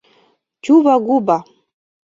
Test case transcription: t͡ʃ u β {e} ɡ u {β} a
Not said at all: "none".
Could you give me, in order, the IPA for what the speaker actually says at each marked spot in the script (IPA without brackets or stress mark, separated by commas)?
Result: a, b